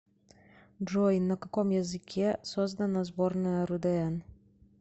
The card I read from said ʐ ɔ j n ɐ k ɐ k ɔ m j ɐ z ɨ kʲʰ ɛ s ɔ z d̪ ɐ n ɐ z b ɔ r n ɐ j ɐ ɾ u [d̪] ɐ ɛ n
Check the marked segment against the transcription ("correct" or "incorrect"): correct